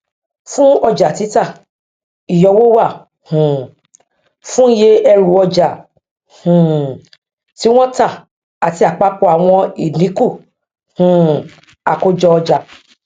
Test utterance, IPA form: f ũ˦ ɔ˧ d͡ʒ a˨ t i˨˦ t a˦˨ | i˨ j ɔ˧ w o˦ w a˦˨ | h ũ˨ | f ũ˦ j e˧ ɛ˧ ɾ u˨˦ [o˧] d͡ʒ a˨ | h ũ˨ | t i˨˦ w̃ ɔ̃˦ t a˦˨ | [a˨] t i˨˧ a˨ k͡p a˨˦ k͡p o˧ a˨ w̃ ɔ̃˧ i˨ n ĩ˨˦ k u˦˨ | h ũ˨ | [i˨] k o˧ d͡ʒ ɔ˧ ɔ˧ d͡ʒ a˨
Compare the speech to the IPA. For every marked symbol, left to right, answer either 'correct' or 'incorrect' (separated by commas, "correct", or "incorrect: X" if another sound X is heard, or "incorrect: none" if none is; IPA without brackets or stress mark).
incorrect: ɔ˧, correct, incorrect: a˨